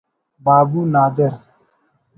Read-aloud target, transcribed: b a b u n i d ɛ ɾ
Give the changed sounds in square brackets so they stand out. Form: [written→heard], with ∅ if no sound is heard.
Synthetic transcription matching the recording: b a b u n [i→a] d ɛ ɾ